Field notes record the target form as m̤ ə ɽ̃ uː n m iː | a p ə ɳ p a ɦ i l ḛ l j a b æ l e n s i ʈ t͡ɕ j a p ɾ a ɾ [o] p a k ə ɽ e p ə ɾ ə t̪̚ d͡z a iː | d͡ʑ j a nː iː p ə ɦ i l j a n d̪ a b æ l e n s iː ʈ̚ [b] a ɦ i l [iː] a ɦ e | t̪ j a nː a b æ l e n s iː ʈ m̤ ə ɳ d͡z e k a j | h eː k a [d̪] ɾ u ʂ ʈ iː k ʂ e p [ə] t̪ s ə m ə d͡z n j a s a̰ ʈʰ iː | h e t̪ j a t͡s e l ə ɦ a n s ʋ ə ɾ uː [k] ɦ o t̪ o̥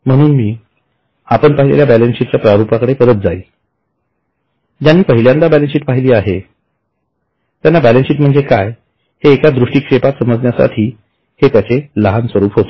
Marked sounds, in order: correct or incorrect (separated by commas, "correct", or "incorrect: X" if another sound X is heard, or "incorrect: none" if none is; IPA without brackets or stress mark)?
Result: incorrect: u, incorrect: p, correct, correct, incorrect: a, incorrect: p